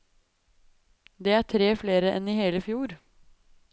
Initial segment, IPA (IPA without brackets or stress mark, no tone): d̪